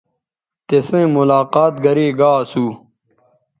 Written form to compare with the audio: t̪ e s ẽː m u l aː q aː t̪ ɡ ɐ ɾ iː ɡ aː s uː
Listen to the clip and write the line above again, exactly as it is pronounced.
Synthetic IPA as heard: t̪ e s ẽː m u l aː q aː t̪ ɡ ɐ ɾ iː ɡ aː s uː

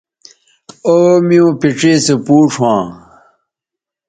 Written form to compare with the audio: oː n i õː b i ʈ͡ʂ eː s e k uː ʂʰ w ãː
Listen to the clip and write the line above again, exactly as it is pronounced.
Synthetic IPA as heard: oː m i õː p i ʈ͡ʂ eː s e p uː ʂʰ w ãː

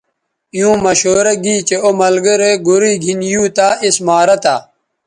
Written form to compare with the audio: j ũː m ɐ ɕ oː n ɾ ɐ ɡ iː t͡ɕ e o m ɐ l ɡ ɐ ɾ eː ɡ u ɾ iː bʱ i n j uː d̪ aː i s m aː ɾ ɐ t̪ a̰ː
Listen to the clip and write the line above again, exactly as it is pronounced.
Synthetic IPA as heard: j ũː m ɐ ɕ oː ɾ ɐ ɡ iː t͡ɕ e o m ɐ l ɡ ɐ ɾ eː ɡ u ɾ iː ɡʱ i n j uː t̪ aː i s m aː ɾ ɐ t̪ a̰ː

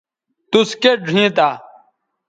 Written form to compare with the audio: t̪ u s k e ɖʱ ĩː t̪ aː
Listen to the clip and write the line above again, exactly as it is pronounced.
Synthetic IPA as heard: t̪ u s k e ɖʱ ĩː t̪ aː

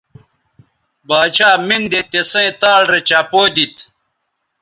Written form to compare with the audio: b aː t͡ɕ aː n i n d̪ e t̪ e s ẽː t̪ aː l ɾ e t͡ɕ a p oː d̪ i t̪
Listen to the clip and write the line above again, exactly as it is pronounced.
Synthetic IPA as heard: b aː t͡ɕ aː m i n d̪ e t̪ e s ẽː t̪ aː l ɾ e t͡ɕ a p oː d̪ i t̪

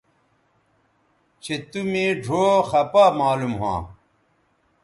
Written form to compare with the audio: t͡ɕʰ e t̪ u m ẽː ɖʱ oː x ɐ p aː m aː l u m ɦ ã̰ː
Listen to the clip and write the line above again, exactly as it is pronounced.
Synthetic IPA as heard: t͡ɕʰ e t̪ u m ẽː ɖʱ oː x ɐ p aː m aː l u m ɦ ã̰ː

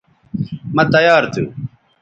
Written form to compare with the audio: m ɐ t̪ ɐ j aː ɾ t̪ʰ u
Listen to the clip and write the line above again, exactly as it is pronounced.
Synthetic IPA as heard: m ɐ t̪ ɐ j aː ɾ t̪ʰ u

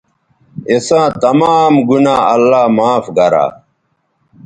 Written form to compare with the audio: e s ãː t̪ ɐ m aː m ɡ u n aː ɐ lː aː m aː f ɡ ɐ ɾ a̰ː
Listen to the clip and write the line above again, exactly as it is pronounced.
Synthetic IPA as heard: e s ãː t̪ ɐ m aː m ɡ u n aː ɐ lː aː m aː f ɡ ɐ ɾ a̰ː

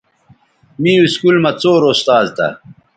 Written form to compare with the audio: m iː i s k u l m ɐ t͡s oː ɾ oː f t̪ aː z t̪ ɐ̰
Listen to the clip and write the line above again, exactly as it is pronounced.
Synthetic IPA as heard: m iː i s k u l m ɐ t͡s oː ɾ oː s t̪ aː z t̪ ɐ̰

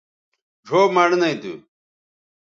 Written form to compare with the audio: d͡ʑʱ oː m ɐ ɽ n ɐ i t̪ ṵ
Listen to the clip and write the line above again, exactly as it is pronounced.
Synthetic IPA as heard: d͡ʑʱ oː m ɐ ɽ n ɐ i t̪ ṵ

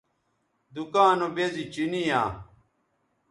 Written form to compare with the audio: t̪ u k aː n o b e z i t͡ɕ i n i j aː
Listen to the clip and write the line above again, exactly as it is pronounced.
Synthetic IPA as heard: d̪ u k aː n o b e z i t͡ɕ i n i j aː

